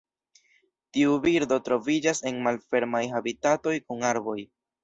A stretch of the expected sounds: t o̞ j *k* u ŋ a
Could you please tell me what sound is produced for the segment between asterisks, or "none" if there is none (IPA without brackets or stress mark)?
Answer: k